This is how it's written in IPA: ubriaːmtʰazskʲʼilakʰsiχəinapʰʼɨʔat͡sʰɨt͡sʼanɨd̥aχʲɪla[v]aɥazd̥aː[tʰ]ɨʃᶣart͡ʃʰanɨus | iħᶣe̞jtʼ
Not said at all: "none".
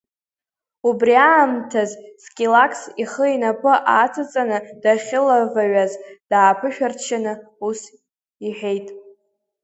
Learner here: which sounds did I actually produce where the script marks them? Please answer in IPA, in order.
v, pʰ

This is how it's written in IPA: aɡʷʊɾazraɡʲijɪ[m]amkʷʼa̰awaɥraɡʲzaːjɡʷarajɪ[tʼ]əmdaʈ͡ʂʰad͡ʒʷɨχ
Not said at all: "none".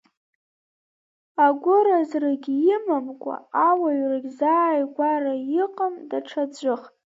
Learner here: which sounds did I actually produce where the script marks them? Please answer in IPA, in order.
m, qʼ

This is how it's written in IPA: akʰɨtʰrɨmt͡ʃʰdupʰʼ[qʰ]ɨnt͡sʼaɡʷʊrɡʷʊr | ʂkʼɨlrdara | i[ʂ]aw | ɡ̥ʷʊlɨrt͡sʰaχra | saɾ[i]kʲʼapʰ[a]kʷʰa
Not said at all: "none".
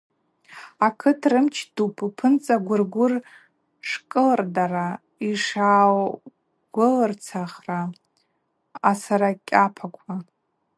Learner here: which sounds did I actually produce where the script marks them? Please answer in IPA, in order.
pʰ, ʂ, a, a

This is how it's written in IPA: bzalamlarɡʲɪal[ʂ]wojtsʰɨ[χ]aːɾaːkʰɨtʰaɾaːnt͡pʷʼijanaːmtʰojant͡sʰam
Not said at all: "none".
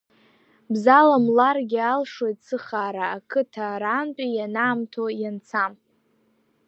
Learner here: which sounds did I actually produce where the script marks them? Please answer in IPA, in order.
ʂ, χ

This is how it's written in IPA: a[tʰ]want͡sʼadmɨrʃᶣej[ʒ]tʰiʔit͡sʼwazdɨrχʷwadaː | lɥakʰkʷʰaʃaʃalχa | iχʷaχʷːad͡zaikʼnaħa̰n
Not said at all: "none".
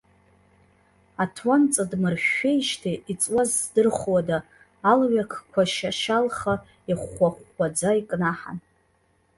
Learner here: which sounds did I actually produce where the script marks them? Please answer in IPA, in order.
tʰ, ʃ

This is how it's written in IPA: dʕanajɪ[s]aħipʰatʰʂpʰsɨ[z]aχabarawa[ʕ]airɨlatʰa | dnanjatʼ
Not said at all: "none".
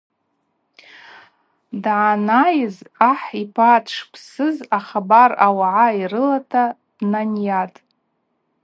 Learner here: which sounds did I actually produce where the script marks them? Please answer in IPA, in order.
z, z, ʕ

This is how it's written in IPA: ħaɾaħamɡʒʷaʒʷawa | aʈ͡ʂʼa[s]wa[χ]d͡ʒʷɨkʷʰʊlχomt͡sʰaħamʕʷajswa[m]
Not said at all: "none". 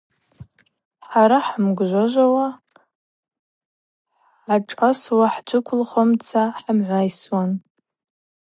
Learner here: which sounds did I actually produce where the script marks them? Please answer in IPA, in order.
s, ħ, n

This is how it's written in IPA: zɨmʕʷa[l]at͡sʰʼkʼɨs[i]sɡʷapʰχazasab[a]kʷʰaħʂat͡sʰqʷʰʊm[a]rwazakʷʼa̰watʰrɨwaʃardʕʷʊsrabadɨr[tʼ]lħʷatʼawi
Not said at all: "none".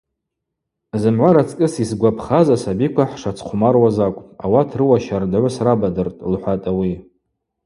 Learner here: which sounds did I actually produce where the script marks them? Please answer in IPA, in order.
ɾ, i, i, a, tʼ

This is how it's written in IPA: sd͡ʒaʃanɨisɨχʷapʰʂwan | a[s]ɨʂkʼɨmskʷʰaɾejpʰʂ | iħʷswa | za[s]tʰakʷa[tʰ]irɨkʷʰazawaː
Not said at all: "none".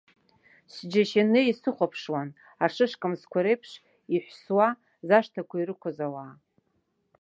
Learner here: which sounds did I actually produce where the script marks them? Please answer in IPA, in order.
ʂ, ʂ, none

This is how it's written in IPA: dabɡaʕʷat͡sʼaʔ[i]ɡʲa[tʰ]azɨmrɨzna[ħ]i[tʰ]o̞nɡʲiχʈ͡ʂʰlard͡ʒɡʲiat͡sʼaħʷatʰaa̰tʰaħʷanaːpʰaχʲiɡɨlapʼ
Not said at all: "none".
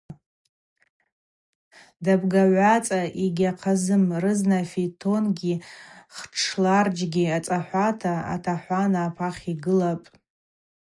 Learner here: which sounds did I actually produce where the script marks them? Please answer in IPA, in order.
i, qʰ, f, tʰ

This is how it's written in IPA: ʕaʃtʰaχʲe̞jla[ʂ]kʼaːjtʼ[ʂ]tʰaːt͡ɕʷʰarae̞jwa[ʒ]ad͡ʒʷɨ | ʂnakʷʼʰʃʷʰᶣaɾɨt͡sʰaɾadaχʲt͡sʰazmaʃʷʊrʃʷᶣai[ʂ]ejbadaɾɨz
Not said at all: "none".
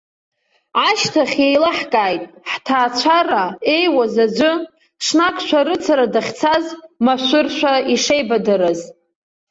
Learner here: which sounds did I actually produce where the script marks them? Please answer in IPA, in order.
ħ, ħ, z, ʂ

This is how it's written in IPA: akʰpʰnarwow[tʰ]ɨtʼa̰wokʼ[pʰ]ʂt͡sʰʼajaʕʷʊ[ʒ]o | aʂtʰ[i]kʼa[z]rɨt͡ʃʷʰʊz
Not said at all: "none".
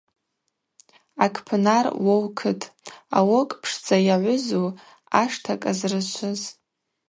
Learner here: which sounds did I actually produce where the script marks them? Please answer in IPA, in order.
kʰ, pʰ, z, a, z

